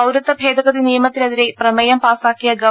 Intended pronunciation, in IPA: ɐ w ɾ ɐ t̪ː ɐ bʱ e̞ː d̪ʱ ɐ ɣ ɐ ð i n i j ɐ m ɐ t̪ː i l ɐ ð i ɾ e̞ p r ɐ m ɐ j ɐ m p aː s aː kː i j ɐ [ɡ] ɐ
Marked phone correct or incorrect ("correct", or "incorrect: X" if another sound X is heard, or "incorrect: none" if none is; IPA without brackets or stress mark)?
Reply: correct